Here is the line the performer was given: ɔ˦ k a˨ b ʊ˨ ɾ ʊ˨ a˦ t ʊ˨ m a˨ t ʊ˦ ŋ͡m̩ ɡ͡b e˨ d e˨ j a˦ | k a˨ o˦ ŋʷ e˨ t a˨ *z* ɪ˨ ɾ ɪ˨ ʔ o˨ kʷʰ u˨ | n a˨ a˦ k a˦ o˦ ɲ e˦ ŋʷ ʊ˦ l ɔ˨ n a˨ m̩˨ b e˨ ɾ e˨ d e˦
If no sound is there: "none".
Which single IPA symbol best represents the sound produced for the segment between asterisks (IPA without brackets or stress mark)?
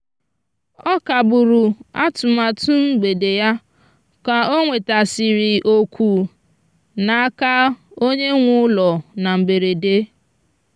s